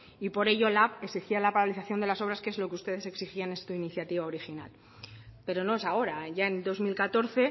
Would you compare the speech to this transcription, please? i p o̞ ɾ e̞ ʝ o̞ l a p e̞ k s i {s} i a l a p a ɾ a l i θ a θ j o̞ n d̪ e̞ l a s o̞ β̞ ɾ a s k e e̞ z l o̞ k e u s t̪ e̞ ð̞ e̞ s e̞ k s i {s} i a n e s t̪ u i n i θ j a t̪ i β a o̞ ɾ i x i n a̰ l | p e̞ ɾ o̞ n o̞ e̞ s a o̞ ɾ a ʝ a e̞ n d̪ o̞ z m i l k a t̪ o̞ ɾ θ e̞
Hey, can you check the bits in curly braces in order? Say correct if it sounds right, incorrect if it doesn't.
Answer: incorrect: x, incorrect: x

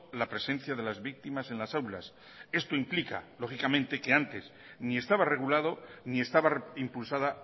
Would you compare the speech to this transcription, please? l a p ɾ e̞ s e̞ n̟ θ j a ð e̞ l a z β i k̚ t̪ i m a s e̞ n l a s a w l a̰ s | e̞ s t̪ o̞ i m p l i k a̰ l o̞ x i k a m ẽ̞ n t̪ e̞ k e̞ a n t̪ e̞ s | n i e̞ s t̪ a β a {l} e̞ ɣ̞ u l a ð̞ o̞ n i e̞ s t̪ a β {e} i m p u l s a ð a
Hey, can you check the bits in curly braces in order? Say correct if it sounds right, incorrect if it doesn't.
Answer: incorrect: r, incorrect: a

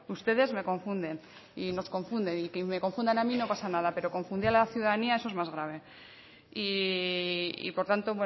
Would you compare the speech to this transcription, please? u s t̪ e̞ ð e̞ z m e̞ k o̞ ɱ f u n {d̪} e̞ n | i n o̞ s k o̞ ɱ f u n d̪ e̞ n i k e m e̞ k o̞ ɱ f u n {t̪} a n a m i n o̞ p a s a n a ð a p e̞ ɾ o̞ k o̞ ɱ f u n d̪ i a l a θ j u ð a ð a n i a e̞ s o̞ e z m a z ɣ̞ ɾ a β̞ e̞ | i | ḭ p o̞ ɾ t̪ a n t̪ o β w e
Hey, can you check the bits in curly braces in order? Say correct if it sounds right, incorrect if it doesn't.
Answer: correct, incorrect: d̪

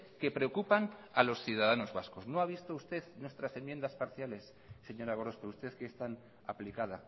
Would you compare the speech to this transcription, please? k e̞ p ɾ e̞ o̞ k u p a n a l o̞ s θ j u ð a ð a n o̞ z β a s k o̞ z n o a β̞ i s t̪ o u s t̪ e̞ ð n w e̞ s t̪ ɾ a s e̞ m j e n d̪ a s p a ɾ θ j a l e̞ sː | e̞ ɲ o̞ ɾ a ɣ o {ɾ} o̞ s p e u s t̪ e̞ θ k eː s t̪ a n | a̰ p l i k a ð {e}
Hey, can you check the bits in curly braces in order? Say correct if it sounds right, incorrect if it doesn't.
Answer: correct, incorrect: a

